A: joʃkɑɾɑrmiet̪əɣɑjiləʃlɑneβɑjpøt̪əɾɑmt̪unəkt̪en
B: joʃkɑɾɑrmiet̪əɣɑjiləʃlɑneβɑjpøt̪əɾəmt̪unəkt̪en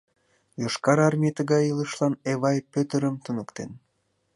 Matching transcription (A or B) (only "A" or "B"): B